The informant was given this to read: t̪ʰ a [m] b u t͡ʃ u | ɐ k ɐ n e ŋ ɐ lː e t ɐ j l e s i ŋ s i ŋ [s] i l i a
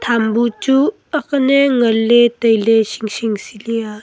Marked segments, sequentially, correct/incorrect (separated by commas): correct, correct